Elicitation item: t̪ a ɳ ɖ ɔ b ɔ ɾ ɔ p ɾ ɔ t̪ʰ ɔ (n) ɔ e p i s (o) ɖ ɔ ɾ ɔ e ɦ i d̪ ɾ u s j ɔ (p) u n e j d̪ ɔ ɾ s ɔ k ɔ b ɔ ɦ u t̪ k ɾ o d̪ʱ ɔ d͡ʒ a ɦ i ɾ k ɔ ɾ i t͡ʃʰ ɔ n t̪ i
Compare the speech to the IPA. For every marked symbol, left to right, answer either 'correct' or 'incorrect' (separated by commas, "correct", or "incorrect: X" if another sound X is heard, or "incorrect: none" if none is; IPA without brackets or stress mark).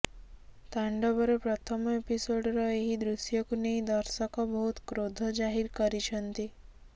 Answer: incorrect: m, correct, incorrect: k